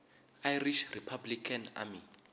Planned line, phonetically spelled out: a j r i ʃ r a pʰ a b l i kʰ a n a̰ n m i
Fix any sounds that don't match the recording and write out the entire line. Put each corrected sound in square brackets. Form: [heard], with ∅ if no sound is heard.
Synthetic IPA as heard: a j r i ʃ r [i] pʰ a b l i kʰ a n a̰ [∅] m i